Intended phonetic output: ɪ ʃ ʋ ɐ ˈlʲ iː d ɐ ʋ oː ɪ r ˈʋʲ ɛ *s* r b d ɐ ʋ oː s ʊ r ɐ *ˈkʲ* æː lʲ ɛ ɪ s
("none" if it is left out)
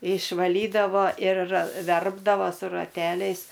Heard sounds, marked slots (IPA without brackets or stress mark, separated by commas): none, tʲ